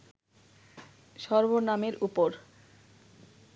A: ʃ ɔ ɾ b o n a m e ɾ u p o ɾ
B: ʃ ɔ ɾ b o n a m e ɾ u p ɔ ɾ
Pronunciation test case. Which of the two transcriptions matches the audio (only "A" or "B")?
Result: A